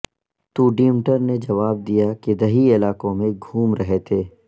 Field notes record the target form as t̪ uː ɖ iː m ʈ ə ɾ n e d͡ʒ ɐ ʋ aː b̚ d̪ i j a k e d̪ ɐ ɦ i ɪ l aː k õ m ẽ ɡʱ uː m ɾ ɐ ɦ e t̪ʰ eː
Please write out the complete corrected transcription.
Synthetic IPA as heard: t̪ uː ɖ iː m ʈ ə ɾ n e d͡ʒ ɐ ʋ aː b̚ d̪ i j a k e d̪ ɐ ɦ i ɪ l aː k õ m ẽ ɡʱ uː m ɾ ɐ ɦ e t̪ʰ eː